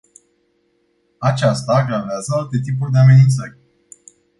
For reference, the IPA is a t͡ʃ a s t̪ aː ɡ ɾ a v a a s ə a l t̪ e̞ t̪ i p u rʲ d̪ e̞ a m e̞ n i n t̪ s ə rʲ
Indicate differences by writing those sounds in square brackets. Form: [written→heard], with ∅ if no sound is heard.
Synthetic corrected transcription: a t͡ʃ a s t̪ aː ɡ ɾ a v [a→e] a [s→z] ə a l t̪ e̞ t̪ i p u rʲ d̪ e̞ a m e̞ n i n t̪ s ə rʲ